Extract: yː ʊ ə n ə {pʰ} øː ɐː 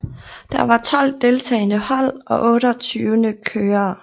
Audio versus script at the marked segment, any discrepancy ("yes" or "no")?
yes